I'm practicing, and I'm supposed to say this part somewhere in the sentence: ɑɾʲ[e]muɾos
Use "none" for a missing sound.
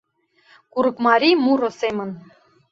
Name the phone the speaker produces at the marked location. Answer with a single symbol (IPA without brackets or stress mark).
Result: i